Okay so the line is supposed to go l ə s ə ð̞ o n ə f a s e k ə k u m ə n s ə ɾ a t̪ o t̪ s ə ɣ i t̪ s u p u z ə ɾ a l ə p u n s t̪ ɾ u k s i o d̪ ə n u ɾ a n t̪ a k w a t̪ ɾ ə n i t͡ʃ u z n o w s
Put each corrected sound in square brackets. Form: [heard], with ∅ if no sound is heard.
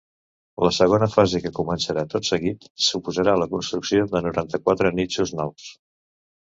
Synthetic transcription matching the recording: l ə s ə [ɣ̞] o n ə f a [z] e k ə k u m ə n s ə ɾ a t̪ o t̪ s ə ɣ i t̪ s u p u z ə ɾ a l ə [k] u n s t̪ ɾ u k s i o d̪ ə n u ɾ a n t̪ [ə] k w a t̪ ɾ ə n i t͡ʃ u z n [ɔ] w s